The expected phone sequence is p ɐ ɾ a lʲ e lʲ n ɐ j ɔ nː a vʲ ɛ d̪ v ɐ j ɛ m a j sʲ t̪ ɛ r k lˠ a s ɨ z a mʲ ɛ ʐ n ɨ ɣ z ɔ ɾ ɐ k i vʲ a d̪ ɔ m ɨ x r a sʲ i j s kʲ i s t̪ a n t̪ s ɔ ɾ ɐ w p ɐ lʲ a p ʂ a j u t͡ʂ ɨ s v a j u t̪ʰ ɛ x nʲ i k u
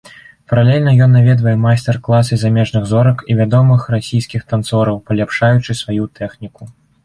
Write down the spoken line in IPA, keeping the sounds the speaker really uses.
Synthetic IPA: p ɐ ɾ a lʲ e lʲ n ɐ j ɔ nː a vʲ ɛ d̪ v ɐ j ɛ m a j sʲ t̪ ɛ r k lˠ a s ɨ z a mʲ ɛ ʐ n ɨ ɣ z ɔ ɾ ɐ k i vʲ a d̪ ɔ m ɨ x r a sʲ i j s kʲ i x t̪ a n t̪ s ɔ ɾ ɐ w p ɐ lʲ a p ʂ a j u t͡ʂ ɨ s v a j u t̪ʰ ɛ x nʲ i k u

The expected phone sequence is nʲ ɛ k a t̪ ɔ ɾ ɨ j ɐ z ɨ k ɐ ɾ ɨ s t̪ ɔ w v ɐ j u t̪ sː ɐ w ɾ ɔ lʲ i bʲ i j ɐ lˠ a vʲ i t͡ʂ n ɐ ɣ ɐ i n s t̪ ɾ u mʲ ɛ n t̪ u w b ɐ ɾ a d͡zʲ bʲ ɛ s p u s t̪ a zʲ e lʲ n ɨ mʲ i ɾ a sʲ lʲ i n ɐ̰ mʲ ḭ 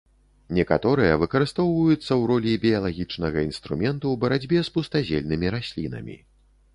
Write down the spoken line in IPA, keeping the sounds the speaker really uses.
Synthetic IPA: nʲ ɛ k a t̪ ɔ ɾ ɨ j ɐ v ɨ k ɐ ɾ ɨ s t̪ ɔ w v ɐ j u t̪ sː ɐ w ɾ ɔ lʲ i bʲ i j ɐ lˠ a ɣʲ i t͡ʂ n ɐ ɣ ɐ i n s t̪ ɾ u mʲ ɛ n t̪ u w b ɐ ɾ a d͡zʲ bʲ ɛ s p u s t̪ a zʲ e lʲ n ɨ mʲ i ɾ a sʲ lʲ i n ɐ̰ mʲ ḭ

